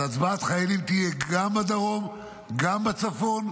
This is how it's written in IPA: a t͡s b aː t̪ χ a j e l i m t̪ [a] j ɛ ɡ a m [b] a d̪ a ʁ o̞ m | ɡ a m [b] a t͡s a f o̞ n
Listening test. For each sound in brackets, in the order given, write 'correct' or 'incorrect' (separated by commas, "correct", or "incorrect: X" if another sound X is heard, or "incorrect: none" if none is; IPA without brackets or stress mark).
incorrect: i, correct, correct